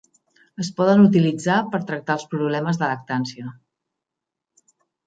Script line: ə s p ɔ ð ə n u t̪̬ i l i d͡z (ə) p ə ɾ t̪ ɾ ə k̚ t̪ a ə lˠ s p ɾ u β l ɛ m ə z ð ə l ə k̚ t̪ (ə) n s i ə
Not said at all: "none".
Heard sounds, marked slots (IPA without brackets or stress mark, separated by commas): a, a